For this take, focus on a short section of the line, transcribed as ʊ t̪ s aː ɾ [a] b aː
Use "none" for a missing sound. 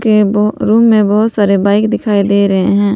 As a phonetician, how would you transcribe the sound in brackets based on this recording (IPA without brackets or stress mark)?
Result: e